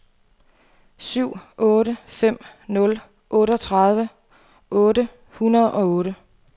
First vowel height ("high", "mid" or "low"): high